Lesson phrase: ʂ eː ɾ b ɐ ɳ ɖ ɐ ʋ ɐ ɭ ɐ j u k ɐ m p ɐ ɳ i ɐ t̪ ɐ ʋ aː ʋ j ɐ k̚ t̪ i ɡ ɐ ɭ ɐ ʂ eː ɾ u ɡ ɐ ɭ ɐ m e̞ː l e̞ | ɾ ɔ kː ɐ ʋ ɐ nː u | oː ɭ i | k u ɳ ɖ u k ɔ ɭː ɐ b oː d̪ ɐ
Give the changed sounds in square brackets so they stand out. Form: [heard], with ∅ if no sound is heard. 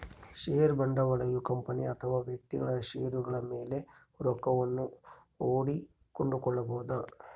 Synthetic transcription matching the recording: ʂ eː ɾ b ɐ ɳ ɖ ɐ ʋ ɐ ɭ ɐ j u k ɐ m p ɐ [n] i ɐ [t̪ʰ] ɐ ʋ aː ʋ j ɐ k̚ t̪ i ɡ ɐ ɭ ɐ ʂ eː ɾ u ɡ ɐ ɭ ɐ m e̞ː l e̞ | ɾ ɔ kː ɐ ʋ ɐ nː u | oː [ɽ] i | k [o] ɳ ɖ u k ɔ ɭː ɐ b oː d̪ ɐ